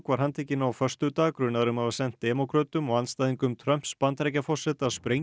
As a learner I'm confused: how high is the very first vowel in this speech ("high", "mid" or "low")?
low